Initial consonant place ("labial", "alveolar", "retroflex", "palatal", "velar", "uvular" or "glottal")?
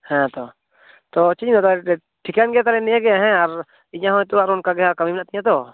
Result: glottal